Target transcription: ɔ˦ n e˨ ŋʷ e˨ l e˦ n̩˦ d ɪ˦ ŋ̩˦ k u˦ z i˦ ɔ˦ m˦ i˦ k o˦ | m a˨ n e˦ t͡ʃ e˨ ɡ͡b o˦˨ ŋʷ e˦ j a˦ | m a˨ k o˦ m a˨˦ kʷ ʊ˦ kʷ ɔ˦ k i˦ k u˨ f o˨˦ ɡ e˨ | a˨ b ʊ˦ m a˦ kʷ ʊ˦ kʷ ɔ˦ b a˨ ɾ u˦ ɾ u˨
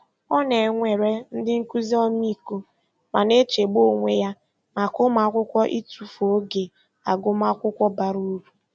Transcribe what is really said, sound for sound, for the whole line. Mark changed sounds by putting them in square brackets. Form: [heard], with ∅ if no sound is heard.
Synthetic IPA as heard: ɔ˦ n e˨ ŋʷ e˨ [ɾ] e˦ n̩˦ d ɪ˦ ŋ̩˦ k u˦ z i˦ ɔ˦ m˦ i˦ k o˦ | m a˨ n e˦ t͡ʃ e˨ ɡ͡b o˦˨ ŋʷ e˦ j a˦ | m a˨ k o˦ m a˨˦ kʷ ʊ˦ kʷ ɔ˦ [ʔ] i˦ [t] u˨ f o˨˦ ɡ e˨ | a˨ [ɡ] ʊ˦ m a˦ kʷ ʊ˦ kʷ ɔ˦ b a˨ ɾ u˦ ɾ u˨